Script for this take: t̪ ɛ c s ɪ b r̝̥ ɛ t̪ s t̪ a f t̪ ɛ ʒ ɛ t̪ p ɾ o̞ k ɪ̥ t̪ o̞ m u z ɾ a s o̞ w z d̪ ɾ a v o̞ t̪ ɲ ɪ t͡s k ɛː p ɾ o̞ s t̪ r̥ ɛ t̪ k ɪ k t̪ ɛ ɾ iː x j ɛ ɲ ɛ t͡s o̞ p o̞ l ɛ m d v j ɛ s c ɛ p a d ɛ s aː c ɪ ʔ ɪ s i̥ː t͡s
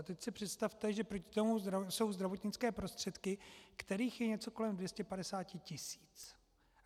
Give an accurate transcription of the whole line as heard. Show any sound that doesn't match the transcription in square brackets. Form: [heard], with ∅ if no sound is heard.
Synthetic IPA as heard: t̪ ɛ c s ɪ [p] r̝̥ ɛ t̪ s t̪ a f t̪ ɛ ʒ ɛ [∅] p ɾ o̞ [c] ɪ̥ t̪ o̞ m u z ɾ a s o̞ w z d̪ ɾ a v o̞ t̪ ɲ ɪ t͡s k ɛː p ɾ o̞ s t̪ r̥ ɛ t̪ k ɪ k t̪ ɛ ɾ iː x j ɛ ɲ ɛ t͡s o̞ [k] o̞ l ɛ m d v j ɛ s c ɛ p a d ɛ s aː c ɪ [c] ɪ s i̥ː t͡s